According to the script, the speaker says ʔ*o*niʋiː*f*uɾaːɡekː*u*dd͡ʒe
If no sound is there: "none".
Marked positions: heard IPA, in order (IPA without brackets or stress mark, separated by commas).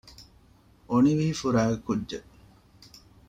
o, f, u